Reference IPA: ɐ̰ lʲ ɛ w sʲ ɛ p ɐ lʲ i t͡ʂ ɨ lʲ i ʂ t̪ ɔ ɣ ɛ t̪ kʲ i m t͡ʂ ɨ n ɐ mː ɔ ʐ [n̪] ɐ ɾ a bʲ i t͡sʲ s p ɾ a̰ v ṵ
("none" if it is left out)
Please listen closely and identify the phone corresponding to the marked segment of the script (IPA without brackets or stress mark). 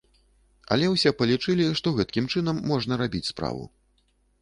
n̪